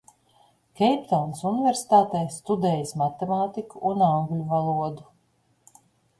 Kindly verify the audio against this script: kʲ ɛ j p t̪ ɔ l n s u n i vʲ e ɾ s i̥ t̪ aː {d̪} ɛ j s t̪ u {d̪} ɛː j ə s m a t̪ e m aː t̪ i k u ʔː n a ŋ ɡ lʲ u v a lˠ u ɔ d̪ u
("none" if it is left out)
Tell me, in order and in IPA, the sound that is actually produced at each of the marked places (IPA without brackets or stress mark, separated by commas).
t̪, d̪